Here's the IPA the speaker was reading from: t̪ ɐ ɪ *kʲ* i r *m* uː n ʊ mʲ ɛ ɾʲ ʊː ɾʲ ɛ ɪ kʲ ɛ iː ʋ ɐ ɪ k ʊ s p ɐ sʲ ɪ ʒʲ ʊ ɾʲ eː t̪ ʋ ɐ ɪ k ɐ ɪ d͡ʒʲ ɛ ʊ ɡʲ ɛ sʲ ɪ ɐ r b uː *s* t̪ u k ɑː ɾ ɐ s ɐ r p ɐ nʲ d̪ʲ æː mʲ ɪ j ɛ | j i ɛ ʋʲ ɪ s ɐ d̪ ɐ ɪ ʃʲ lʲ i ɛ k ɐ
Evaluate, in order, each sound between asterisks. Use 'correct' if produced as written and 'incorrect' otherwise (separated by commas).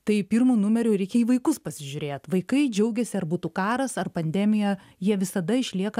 incorrect, correct, incorrect